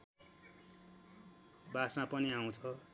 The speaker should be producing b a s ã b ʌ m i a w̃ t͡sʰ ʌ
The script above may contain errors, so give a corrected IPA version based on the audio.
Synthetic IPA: b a s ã p ʌ n i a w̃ t͡sʰ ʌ